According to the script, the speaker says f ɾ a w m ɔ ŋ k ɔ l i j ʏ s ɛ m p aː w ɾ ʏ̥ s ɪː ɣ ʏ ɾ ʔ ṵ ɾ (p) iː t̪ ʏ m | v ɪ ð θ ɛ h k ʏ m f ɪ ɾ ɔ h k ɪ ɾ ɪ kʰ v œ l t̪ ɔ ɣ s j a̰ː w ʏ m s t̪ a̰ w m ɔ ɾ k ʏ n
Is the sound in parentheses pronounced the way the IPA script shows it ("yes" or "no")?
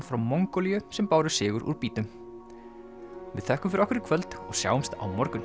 yes